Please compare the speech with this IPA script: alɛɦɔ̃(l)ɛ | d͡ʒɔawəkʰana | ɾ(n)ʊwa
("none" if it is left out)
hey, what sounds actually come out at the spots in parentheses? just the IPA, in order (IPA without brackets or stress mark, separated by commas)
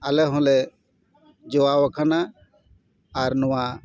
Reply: l, n